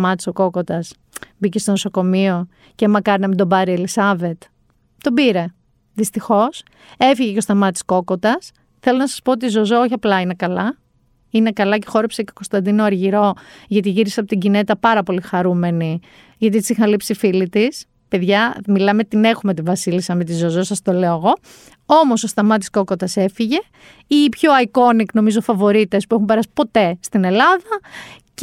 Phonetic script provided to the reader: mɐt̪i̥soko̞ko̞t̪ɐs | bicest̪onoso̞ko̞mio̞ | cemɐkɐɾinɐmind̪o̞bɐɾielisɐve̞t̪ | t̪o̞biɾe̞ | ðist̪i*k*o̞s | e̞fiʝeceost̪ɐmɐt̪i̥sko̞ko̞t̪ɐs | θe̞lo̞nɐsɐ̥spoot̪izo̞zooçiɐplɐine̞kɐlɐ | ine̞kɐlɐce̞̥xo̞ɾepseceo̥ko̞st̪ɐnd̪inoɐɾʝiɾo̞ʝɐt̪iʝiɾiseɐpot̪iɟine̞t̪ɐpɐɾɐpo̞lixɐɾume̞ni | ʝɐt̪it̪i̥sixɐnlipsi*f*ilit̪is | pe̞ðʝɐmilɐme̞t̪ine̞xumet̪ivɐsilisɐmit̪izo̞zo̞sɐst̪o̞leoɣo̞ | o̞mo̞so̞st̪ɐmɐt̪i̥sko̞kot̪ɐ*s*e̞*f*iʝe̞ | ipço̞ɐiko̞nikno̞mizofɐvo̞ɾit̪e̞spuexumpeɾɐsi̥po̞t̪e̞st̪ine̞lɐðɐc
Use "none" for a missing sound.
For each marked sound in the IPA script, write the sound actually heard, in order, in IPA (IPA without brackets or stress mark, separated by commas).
x, f, s, f